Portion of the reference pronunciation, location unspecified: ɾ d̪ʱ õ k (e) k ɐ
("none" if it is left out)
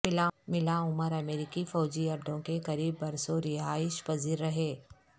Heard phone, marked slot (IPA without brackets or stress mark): e